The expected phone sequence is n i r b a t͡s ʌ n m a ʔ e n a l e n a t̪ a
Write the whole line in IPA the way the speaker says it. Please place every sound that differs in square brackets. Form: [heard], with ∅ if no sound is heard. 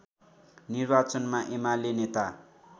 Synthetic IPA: n i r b a t͡s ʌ n m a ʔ e [m] a l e n [e] t̪ a